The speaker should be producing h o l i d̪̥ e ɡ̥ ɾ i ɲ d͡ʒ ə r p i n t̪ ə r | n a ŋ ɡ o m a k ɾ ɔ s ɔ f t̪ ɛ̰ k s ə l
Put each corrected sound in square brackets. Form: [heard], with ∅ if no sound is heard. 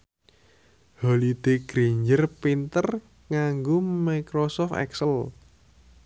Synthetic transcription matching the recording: h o l i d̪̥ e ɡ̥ ɾ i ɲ d͡ʒ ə r p i n t̪ ə r | [ŋ] a ŋ ɡ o m a k ɾ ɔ s ɔ f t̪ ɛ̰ k s ə l